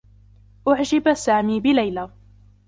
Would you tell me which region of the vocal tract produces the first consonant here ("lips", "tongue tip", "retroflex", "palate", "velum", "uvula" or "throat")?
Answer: throat